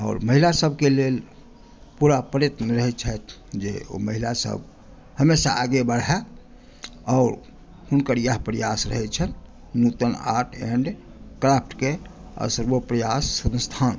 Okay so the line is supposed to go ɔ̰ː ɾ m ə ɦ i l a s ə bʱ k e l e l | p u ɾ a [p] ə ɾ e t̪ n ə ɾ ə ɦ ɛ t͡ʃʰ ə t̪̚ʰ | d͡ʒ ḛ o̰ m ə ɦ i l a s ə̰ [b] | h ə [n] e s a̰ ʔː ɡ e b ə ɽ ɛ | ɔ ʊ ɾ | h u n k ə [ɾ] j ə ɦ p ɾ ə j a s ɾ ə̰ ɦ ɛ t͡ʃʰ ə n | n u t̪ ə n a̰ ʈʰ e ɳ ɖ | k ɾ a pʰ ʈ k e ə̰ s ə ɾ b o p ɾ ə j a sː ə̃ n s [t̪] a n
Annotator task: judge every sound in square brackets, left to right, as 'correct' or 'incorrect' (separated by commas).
correct, correct, incorrect, correct, incorrect